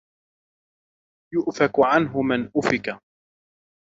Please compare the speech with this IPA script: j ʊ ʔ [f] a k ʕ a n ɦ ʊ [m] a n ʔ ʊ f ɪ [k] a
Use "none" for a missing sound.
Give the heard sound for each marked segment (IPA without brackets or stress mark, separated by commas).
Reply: f, m, k